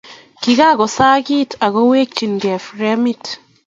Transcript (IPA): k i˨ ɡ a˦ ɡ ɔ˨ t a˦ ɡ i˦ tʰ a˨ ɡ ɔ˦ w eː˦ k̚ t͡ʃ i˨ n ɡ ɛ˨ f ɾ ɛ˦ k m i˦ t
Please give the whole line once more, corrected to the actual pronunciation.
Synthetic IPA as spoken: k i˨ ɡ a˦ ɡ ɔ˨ s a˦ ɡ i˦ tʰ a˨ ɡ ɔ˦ w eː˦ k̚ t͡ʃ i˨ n ɡ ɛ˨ f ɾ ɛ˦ m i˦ t